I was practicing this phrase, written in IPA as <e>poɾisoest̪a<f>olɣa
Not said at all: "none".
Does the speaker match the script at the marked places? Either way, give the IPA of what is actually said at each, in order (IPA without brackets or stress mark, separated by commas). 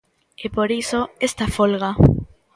e, f